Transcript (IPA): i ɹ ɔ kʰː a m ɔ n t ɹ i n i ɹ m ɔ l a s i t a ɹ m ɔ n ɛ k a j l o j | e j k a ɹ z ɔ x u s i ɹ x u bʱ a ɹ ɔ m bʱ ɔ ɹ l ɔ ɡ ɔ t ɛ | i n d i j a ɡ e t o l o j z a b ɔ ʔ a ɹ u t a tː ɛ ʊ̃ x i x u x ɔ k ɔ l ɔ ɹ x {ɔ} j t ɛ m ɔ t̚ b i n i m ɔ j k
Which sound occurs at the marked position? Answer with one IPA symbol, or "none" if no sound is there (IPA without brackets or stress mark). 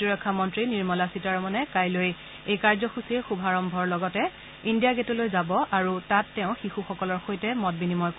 o